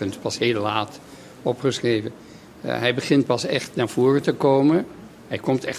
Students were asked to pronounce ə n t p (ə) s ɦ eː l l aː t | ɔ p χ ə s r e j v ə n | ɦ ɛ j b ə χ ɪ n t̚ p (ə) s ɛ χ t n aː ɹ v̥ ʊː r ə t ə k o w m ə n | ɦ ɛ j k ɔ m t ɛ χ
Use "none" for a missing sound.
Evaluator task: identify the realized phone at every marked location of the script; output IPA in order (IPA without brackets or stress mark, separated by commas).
ɑ, ɑ